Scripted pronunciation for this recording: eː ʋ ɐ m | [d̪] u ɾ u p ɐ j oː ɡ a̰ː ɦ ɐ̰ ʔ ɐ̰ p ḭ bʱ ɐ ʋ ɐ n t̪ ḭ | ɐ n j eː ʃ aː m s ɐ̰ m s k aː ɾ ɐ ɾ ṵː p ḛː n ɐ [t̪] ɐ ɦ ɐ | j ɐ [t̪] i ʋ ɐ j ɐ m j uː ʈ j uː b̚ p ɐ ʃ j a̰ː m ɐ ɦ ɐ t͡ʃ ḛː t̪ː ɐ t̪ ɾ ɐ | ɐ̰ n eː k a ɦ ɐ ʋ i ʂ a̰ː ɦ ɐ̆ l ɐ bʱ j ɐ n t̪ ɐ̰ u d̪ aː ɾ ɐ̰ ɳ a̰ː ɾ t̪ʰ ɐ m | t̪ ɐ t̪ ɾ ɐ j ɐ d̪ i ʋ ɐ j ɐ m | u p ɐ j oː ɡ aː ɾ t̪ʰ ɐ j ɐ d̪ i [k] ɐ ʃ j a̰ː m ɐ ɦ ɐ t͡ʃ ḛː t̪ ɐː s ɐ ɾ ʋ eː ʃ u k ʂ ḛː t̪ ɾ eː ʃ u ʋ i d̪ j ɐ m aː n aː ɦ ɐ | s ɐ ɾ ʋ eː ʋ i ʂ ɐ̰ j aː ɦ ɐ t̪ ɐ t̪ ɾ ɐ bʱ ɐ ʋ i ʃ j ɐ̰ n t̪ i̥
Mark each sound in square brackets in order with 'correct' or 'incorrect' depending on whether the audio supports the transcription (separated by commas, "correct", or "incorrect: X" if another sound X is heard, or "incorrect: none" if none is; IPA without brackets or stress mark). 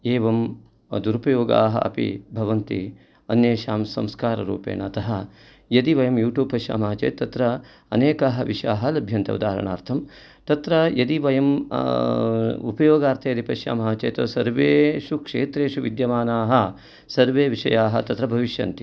correct, correct, incorrect: d̪, incorrect: p